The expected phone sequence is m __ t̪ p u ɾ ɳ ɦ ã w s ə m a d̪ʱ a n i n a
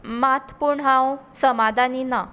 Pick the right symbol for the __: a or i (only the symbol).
a